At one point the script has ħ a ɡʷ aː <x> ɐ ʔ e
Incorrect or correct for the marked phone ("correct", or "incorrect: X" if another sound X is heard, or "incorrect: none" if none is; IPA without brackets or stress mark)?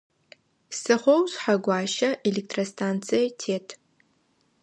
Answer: incorrect: ʃ